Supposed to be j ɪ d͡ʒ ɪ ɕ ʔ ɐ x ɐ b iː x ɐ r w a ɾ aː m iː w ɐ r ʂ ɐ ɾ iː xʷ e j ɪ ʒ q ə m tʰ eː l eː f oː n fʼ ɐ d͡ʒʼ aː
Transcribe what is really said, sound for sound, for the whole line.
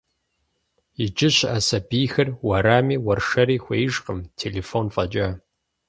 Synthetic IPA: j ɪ d͡ʒ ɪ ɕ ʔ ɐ s ɐ b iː x ɐ r w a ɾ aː m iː w ɐ r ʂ ɐ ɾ iː xʷ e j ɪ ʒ q ə m tʰ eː l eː f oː n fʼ ɐ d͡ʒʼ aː